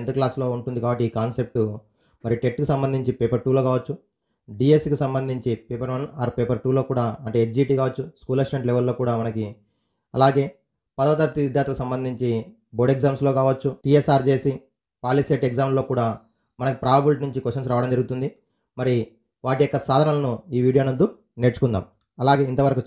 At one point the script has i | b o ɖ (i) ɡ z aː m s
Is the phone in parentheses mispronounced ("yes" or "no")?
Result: yes